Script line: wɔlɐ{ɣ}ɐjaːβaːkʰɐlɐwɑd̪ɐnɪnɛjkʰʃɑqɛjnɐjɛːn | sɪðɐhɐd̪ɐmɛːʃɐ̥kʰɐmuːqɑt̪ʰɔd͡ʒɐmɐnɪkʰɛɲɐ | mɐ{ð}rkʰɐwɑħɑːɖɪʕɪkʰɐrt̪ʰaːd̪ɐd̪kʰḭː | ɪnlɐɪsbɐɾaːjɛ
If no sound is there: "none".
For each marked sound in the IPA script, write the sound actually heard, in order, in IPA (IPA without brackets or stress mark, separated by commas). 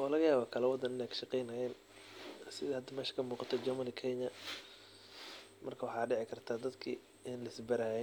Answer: ɣ, none